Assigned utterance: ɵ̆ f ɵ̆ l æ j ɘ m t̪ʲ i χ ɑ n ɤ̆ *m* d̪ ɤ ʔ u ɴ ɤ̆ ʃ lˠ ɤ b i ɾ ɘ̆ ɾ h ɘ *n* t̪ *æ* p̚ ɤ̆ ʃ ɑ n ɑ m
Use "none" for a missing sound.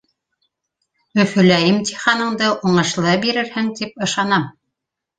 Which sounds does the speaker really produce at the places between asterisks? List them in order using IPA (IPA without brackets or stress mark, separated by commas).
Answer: ɴ, ŋ, i